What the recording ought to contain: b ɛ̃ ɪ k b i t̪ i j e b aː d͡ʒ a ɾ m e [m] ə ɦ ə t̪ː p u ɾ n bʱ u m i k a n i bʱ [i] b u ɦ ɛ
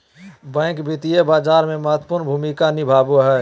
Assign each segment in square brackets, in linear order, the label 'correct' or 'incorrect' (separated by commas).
correct, incorrect